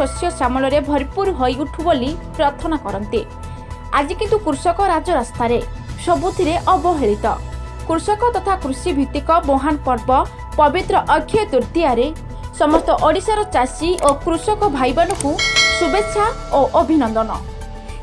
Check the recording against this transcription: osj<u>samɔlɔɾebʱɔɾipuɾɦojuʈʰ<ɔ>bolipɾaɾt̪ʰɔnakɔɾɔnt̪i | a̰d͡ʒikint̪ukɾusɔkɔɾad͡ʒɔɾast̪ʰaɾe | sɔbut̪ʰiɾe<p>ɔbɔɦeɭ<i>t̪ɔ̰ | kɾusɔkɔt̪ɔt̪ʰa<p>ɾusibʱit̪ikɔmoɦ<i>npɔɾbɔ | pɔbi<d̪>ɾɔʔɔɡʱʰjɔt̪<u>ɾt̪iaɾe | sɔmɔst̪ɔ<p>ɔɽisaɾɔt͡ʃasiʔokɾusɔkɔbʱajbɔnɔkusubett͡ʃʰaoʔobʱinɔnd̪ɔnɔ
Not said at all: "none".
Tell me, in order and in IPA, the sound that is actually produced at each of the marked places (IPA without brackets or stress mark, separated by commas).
ɔ, u, ʔ, i, k, a, t̪, u, ʔ